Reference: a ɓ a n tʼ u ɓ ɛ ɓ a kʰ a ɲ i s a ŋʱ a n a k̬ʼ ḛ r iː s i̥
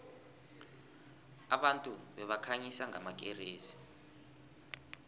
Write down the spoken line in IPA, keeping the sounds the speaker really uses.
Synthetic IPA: a ɓ a n tʼ u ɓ ɛ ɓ a kʰ a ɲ i s a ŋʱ a m a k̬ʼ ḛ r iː s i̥